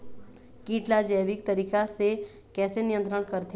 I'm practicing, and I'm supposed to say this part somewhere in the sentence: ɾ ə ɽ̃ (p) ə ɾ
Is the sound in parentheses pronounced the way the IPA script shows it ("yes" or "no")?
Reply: no